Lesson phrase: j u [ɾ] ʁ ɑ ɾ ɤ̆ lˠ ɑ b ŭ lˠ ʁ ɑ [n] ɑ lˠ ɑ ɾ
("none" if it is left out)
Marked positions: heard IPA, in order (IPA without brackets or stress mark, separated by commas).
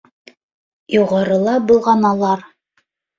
none, n